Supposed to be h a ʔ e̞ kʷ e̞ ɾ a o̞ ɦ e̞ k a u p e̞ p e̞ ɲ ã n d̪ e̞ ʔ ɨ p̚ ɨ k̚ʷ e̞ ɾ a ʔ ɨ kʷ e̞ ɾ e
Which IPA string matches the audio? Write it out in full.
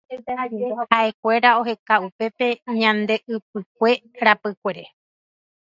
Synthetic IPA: h a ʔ e̞ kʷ e̞ ɾ a o̞ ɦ e̞ k a u p e̞ p e̞ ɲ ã n d̪ e̞ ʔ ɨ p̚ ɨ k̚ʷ e̞ ɾ a p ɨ kʷ e̞ ɾ e